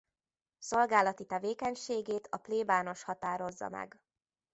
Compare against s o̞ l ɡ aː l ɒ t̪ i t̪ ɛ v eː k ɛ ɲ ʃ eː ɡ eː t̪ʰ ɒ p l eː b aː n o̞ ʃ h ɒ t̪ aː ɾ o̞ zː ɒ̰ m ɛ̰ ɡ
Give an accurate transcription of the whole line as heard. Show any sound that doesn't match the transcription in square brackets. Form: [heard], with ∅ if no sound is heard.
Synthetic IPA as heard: s o̞ l ɡ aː l ɒ t̪ i t̪ ɛ v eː k ɛ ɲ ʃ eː ɡ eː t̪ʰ ɒ p l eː b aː n o̞ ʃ h ɒ t̪ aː ɾ o̞ zː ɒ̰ m ɛ̰ ɡ